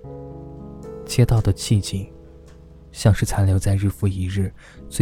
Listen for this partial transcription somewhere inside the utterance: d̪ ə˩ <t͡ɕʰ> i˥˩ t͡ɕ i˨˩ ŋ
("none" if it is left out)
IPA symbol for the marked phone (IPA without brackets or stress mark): t͡ɕʰ